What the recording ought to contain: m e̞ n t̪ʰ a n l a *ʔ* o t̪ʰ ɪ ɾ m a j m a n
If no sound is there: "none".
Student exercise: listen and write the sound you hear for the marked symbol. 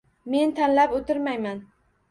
p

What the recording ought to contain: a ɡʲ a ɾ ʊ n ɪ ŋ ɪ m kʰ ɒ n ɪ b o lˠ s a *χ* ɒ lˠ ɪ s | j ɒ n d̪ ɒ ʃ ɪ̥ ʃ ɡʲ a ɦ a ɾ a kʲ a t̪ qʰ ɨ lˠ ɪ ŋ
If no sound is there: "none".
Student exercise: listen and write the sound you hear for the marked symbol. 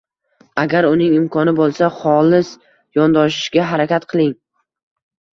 χ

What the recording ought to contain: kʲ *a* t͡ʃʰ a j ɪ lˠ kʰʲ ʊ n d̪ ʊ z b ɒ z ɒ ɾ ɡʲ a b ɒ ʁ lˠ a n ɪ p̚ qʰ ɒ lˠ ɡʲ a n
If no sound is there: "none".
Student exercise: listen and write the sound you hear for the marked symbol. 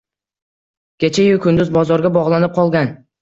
e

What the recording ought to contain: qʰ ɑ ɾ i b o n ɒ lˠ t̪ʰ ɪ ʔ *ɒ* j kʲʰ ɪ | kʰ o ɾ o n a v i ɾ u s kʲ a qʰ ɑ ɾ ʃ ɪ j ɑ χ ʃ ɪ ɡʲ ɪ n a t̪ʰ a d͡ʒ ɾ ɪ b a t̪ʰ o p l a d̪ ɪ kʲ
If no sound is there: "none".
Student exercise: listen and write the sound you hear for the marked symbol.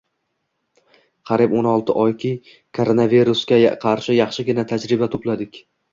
ɒ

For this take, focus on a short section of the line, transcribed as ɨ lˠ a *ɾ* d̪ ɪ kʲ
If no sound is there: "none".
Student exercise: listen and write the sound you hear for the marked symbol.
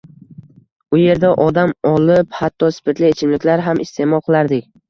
ɾ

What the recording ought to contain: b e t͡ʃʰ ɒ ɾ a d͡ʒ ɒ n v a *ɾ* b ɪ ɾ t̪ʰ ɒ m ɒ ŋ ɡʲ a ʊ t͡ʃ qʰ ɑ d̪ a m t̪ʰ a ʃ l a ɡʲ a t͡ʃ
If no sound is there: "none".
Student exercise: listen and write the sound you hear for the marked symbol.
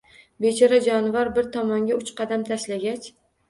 ɾ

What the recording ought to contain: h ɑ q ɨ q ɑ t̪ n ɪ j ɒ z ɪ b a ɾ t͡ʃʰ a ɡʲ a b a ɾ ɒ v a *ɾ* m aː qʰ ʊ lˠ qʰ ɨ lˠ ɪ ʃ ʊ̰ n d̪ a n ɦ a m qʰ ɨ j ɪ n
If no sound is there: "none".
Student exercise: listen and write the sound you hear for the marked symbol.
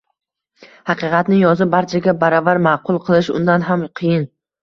ɾ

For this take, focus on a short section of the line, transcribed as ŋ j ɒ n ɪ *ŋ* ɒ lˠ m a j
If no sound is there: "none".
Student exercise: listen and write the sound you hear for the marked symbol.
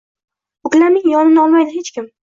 n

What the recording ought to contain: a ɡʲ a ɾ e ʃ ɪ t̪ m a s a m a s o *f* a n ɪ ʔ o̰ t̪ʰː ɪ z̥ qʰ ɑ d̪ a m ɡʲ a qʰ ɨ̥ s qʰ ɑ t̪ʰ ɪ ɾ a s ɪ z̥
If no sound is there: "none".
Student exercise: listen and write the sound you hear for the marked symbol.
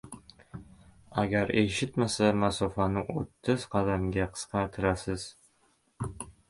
f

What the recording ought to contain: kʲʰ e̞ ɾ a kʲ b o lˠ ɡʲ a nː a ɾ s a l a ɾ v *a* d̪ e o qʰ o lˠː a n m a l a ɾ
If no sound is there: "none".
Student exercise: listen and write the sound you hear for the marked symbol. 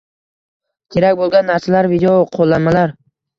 i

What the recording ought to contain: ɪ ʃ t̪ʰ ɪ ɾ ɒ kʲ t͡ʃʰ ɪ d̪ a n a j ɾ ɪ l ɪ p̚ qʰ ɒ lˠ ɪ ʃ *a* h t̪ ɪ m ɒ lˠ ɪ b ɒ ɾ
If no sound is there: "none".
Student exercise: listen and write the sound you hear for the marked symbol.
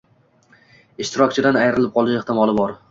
e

